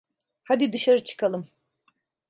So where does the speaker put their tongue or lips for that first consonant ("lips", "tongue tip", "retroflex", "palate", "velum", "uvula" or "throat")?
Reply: throat